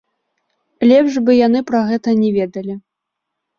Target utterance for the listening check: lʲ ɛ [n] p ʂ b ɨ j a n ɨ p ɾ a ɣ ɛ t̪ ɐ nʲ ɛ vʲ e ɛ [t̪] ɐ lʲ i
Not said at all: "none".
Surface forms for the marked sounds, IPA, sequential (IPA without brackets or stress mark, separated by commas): none, d̪